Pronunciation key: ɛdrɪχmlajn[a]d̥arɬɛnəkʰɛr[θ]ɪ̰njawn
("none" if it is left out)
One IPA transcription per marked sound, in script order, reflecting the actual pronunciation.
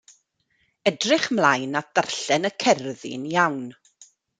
a, ð

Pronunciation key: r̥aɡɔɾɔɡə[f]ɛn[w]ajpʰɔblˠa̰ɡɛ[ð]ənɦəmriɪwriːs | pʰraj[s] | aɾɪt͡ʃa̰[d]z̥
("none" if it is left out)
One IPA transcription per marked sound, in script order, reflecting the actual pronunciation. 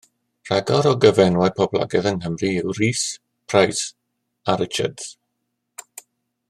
v, w, ð, s, d

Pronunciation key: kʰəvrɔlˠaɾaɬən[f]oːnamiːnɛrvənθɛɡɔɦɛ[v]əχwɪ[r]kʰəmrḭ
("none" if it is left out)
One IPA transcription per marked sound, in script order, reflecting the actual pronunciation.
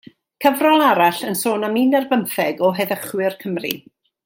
s, ð, r

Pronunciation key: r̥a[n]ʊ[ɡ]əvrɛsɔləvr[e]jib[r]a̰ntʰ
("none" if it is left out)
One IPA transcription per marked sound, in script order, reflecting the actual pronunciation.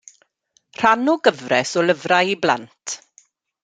n, ɡ, a, l

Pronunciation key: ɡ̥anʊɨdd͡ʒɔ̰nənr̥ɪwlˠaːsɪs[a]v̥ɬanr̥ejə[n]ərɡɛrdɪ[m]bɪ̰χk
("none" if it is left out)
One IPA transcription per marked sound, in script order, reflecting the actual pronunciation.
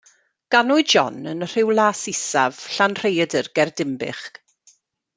a, d, m

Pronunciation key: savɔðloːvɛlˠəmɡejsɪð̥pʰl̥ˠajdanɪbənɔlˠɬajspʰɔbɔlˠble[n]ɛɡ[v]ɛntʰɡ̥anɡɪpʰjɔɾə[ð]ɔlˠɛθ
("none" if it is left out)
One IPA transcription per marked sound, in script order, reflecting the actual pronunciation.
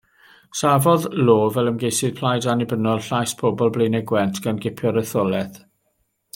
n, w, θ

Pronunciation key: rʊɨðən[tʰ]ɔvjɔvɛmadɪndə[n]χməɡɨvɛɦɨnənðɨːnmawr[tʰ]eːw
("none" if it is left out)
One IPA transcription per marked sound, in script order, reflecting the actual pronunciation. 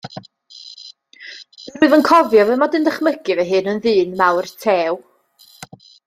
kʰ, none, tʰ

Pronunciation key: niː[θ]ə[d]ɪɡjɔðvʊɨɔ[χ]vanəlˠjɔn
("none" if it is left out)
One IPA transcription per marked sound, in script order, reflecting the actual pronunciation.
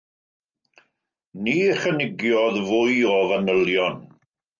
χ, n, none

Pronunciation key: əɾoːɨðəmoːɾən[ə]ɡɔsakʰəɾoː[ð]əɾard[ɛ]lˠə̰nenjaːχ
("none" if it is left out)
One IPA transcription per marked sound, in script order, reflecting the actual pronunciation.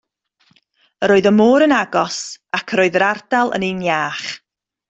a, ð, a

